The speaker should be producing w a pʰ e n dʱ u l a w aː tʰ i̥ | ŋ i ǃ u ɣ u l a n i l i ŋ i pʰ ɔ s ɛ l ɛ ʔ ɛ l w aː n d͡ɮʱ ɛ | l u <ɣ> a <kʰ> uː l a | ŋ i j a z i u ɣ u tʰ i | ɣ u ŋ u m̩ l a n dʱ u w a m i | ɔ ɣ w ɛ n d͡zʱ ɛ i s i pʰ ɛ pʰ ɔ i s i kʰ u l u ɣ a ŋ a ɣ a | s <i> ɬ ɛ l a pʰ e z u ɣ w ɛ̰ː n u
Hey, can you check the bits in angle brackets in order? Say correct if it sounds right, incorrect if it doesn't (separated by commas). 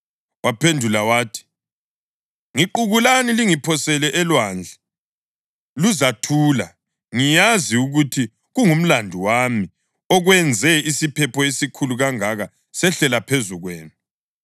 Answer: incorrect, incorrect, incorrect